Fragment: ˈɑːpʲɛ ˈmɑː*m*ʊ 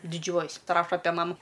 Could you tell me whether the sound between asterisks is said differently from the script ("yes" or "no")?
no